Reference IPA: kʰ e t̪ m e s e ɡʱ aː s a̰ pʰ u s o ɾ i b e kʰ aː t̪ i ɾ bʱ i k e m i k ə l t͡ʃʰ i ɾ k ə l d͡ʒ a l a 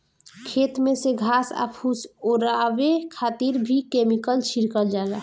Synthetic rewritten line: kʰ e t̪ m e s e ɡʱ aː s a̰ pʰ u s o ɾ a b e kʰ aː t̪ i ɾ bʱ i k e m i k ə l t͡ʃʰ i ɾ k ə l d͡ʒ a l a